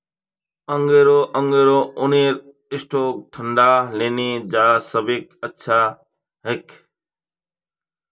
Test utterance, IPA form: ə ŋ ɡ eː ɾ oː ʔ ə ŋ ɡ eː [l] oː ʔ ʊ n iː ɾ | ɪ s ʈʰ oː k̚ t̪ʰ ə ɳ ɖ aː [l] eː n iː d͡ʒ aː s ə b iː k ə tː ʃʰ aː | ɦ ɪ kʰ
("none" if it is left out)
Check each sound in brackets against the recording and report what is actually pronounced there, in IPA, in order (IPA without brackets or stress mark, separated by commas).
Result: ɾ, l